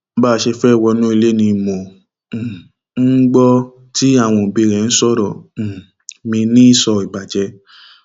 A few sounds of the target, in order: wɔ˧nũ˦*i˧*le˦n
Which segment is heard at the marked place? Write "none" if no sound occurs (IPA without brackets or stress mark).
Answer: i˧